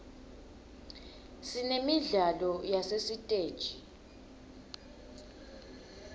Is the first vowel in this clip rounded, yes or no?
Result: no